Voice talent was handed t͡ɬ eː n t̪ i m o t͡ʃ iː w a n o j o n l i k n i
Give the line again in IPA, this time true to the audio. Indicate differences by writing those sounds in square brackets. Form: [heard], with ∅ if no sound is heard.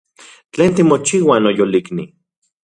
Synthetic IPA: t͡ɬ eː n t̪ i m o t͡ʃ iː w a n o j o [∅] l i k n i